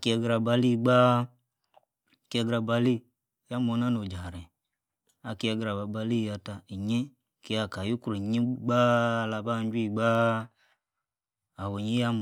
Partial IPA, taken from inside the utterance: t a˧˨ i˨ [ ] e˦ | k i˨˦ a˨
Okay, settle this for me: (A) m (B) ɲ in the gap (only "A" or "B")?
B